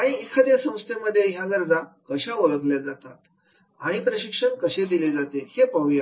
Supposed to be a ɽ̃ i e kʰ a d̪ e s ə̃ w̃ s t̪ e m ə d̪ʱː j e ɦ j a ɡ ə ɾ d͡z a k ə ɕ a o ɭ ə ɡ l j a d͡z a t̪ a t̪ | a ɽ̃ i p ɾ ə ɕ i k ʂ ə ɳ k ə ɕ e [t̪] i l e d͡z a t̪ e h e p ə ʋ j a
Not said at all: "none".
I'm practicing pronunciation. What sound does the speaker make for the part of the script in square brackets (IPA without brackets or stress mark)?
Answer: d̪